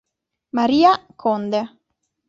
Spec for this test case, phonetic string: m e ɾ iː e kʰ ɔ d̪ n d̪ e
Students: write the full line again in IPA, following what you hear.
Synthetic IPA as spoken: m a ɾ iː a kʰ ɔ n d̪ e